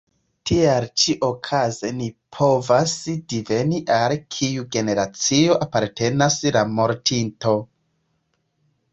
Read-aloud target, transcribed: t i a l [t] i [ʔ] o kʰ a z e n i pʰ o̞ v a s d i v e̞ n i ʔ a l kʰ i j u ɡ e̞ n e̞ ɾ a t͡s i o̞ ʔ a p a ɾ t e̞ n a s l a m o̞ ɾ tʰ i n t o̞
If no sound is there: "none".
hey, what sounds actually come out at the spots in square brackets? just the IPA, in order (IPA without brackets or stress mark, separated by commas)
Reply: t͡ʃ, ʔ